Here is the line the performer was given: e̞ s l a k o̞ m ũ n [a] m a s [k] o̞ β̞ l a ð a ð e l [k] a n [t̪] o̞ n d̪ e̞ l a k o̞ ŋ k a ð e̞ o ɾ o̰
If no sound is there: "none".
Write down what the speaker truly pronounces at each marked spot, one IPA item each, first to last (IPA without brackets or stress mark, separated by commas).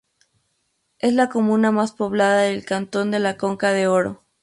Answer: a, p, k, t̪